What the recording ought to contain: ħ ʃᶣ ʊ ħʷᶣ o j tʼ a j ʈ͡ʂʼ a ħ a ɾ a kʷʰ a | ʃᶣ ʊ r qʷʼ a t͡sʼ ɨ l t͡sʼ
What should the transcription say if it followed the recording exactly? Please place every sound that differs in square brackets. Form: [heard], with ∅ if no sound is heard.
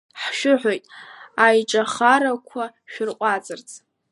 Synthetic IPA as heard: ħ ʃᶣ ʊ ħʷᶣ o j tʼ a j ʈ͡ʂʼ a [χ] a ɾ a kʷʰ a | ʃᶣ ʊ r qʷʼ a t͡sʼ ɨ [r] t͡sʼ